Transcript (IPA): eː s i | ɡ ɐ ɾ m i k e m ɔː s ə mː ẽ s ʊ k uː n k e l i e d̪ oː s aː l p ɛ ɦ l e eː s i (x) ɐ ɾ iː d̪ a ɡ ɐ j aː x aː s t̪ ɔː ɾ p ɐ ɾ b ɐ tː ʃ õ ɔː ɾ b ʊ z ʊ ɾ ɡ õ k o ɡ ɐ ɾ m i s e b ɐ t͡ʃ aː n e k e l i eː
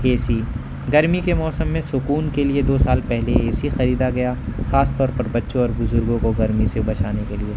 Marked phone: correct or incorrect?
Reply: correct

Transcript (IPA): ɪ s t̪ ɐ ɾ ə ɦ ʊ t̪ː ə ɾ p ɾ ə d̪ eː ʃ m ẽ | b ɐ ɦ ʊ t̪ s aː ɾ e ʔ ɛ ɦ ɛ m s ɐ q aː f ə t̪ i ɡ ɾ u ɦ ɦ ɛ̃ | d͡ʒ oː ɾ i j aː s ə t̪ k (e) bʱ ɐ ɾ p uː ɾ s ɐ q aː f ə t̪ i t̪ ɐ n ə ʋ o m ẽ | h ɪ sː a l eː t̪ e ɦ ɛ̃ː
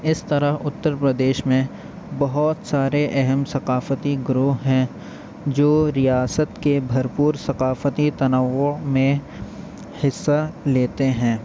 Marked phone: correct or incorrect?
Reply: correct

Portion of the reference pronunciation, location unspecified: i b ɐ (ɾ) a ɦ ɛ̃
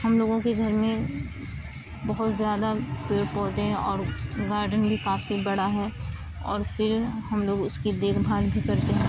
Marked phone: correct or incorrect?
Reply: incorrect: ɽ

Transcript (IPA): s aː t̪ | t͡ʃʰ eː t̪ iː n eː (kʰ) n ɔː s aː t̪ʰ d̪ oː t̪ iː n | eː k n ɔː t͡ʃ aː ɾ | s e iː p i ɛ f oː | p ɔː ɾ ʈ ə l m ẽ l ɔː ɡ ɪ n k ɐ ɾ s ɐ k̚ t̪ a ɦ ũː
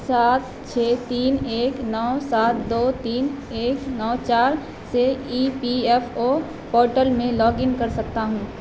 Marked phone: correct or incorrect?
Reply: incorrect: k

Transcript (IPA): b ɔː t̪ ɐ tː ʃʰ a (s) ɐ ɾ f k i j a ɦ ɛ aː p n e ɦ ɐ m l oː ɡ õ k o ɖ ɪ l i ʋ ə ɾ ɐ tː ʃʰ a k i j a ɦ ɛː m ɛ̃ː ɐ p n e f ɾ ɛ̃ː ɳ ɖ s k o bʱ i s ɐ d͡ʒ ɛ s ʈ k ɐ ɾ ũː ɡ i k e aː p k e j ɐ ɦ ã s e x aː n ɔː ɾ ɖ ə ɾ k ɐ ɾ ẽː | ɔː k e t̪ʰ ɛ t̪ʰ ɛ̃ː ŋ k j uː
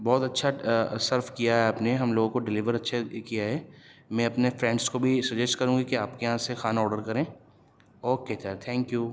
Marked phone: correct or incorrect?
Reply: correct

